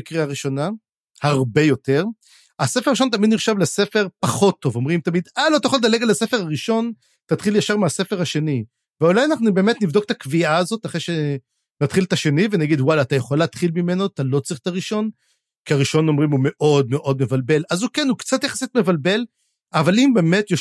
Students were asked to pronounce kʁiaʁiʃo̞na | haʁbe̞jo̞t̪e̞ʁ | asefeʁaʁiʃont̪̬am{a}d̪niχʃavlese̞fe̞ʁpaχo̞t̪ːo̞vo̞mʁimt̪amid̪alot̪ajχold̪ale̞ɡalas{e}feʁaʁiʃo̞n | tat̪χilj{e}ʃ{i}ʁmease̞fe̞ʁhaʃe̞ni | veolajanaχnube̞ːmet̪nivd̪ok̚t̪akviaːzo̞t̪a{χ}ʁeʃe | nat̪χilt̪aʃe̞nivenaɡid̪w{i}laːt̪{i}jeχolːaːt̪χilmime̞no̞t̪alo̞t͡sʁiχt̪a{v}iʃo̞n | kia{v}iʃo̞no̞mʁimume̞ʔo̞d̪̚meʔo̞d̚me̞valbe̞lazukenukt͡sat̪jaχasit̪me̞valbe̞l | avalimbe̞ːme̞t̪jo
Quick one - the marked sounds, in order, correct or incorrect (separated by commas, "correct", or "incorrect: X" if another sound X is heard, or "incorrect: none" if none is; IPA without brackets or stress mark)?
incorrect: i, correct, incorrect: a, incorrect: a, correct, incorrect: a, incorrect: a, incorrect: ʁ, incorrect: ʁ